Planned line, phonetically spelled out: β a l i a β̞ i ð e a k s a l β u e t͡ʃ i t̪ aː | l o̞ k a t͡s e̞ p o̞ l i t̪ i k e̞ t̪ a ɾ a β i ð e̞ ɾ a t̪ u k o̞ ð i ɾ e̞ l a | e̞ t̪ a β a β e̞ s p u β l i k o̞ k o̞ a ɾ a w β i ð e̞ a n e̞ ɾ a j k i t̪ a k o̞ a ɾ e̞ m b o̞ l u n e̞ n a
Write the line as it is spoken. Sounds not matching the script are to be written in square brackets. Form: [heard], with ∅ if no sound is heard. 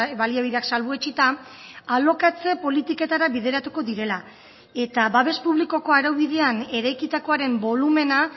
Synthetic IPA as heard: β a l i a β̞ i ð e a k s a l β u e t͡ʃ i t̪ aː | l o̞ k a t͡s e̞ p o̞ l i t̪ i k e̞ t̪ a ɾ a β i ð e̞ ɾ a t̪ u k o̞ ð i ɾ e̞ l a | e̞ t̪ a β a β e̞ s p u β l i k o̞ k o̞ a ɾ a w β i ð e̞ a n e̞ ɾ a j k i t̪ a k o̞ a ɾ e̞ m b o̞ l u [m] e̞ n a